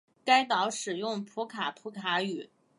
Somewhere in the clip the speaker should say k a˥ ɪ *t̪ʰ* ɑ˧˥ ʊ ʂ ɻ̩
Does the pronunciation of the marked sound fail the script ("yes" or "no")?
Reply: yes